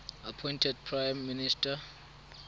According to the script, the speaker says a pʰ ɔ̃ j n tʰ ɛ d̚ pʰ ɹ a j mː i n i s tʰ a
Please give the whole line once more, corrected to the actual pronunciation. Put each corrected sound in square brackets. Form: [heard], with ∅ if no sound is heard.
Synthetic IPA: a pʰ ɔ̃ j n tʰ ɛ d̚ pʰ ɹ a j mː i n i s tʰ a